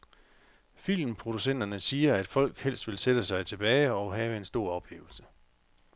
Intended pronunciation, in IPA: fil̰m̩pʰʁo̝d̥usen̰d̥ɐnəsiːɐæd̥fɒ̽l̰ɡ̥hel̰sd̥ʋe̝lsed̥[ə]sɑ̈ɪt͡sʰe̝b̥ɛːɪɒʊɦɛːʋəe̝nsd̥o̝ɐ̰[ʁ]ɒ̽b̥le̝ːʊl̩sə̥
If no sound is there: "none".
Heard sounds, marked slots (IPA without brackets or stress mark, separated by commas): ə, none